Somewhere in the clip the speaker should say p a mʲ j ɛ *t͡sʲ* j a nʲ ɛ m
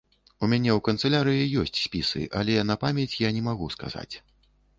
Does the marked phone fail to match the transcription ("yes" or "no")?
no